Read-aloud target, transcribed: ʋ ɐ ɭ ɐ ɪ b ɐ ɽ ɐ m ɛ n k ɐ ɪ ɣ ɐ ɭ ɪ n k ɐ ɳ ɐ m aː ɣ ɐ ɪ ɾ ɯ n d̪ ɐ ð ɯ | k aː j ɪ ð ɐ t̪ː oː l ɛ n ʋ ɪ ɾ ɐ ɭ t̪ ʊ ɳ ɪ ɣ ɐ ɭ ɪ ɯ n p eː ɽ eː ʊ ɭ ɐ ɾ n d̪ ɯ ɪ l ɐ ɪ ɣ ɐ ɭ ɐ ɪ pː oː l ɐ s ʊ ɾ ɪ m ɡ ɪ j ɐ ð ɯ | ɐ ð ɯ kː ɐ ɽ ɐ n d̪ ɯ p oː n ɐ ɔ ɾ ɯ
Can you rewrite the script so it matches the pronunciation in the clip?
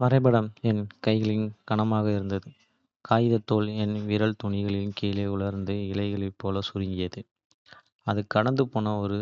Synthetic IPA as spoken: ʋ ɐ ɾ ɐ ɪ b ɐ ɽ ɐ m ɛ n k ɐ ɪ ɣ ɐ ɭ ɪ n k ɐ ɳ ɐ m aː ɣ ɐ ɪ ɾ ɯ n d̪ ɐ ð ɯ | k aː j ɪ ð ɐ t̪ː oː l ɛ n ʋ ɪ ɾ ɐ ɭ t̪ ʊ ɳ ɪ ɣ ɐ ɭ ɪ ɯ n k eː l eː ʊ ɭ ɐ ɾ n d̪ ɯ ɪ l ɐ ɪ ɣ ɐ ɭ ɐ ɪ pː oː l ɐ s ʊ ɾ ɪ ŋ ɡ ɪ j ɐ ð ɯ | ɐ ð ɯ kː ɐ ɽ ɐ n d̪ ɯ p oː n ɐ ɔ ɾ ɯ